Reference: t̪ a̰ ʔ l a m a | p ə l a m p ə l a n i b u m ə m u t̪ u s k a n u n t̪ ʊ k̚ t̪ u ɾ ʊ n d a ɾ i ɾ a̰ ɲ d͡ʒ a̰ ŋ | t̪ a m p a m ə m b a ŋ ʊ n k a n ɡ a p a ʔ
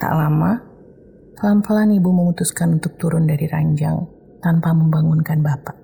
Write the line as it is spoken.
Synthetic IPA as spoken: t̪ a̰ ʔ l a m a | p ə l a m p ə l a n i b u m ə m u t̪ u s k a n u n t̪ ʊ k̚ t̪ u ɾ ʊ n d a ɾ i ɾ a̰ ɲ d͡ʒ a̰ ŋ | t̪ a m p a m ə m b a ŋ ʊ n k a n b a p a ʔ